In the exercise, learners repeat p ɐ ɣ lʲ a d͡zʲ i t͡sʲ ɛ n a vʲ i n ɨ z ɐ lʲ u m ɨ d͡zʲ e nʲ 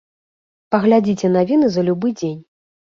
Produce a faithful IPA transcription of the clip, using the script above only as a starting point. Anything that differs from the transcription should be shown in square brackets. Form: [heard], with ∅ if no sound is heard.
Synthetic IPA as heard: p ɐ ɣ lʲ a d͡zʲ i t͡sʲ ɛ n a vʲ i n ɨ z ɐ lʲ u [b] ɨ d͡zʲ e nʲ

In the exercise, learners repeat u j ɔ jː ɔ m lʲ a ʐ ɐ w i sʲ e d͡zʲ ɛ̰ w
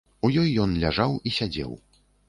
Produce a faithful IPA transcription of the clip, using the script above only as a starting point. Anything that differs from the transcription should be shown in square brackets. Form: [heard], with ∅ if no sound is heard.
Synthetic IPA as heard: u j ɔ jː ɔ [n] lʲ a ʐ [a] w i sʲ [a] d͡zʲ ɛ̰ w

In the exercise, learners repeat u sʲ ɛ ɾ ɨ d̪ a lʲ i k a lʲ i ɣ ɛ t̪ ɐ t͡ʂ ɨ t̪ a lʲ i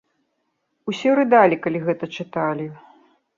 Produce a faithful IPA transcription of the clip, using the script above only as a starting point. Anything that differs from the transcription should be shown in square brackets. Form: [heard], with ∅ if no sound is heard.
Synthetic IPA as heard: u sʲ ɛ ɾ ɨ d̪ a lʲ i k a lʲ i ɣ ɛ t̪ ɐ t͡ʂ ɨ t̪ a lʲ i

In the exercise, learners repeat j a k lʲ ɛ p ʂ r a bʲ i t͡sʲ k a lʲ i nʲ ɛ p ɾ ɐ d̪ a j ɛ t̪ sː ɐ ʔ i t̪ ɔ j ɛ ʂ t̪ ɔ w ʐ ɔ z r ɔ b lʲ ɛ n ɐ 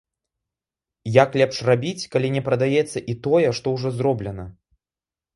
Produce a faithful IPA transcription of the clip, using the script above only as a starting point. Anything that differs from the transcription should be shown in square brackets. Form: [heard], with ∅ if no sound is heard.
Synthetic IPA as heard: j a k lʲ ɛ p ʂ r a bʲ i t͡sʲ k a lʲ i nʲ ɛ p ɾ ɐ d̪ a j ɛ t̪ sː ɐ ʔ i t̪ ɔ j ɛ ʂ t̪ ɔ w ʐ ɔ z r ɔ b lʲ ɛ n ɐ

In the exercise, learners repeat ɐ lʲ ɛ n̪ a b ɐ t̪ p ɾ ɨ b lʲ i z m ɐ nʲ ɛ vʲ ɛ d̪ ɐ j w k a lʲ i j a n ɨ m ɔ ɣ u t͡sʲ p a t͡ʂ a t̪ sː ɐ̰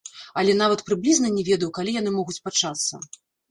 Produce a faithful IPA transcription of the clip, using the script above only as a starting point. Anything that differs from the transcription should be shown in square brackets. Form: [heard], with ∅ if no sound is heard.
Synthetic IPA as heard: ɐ lʲ ɛ n̪ a [v] ɐ t̪ p ɾ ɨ b lʲ i z [n] ɐ nʲ ɛ vʲ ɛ d̪ ɐ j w k a lʲ i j a n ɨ m ɔ ɣ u t͡sʲ p a t͡ʂ a t̪ sː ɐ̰

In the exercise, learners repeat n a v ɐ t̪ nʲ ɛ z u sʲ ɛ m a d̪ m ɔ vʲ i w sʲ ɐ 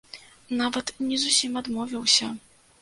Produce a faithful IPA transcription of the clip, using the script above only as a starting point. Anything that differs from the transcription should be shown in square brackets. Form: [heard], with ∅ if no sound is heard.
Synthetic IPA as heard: n a v ɐ t̪ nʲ ɛ z u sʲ [i] m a d̪ m ɔ vʲ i w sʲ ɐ

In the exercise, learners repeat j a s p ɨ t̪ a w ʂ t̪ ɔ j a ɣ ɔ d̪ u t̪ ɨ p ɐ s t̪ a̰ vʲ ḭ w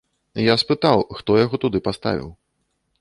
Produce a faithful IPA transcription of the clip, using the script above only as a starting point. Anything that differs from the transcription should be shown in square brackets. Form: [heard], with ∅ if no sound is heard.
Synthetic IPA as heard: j a s p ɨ t̪ a w [x] t̪ ɔ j a ɣ ɔ [t̪] u [d̪] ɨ p [a] s t̪ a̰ vʲ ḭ w

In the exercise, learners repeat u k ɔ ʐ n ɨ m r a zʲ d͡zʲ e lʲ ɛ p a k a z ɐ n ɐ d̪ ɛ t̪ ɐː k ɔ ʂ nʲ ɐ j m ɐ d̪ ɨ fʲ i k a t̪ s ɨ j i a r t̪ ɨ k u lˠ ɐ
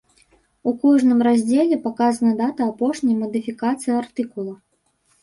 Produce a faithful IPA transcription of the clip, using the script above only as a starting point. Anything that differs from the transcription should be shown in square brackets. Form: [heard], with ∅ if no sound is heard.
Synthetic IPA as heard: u k ɔ ʐ n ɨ m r a zʲ d͡zʲ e lʲ ɛ p a k a z ɐ n ɐ d̪ [a] t̪ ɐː [p] ɔ ʂ nʲ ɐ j m ɐ d̪ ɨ fʲ i k a t̪ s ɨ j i a r t̪ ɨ k u lˠ ɐ

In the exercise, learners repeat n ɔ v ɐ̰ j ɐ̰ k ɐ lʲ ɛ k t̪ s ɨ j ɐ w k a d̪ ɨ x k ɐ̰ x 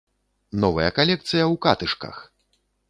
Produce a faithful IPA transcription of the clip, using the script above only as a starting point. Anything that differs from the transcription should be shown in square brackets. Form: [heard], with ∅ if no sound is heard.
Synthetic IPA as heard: n ɔ v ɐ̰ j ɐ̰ k [a] lʲ ɛ k t̪ s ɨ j ɐ w k a [t̪] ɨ [ʂ] k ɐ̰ x

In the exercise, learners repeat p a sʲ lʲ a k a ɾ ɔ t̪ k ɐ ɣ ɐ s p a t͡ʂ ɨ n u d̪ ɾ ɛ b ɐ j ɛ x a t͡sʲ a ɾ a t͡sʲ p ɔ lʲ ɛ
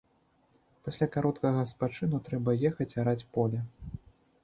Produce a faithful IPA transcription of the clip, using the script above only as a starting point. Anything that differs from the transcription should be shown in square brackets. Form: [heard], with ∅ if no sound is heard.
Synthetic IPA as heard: p a sʲ lʲ a k a ɾ ɔ t̪ k ɐ ɣ ɐ s p a t͡ʂ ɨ n u [t̪] ɾ ɛ b ɐ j ɛ x [ɐ] t͡sʲ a ɾ a t͡sʲ p ɔ lʲ ɛ

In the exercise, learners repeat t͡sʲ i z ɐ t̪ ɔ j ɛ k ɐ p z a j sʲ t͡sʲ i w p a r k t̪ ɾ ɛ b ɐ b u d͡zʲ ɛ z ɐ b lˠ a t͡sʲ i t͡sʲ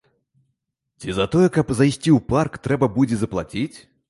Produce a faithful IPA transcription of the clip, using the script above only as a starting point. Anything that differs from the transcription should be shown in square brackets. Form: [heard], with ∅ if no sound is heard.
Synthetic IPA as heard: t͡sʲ i z ɐ t̪ ɔ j ɛ k ɐ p z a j sʲ t͡sʲ i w p a r k t̪ ɾ ɛ b ɐ b u d͡zʲ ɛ z ɐ [p] lˠ a t͡sʲ i t͡sʲ

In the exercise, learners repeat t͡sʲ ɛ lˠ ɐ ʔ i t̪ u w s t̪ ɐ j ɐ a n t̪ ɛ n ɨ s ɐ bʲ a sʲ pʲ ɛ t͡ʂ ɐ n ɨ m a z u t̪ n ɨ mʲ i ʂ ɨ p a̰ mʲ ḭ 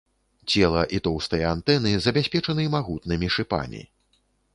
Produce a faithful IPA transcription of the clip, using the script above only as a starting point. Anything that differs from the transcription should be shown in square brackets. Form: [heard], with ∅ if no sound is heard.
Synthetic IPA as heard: t͡sʲ ɛ lˠ ɐ ʔ i t̪ [ɔ] w s t̪ ɐ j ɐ a n t̪ ɛ n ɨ [z] ɐ bʲ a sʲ pʲ ɛ t͡ʂ ɐ n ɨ m a [ɣ] u t̪ n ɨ mʲ i ʂ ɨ p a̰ mʲ ḭ

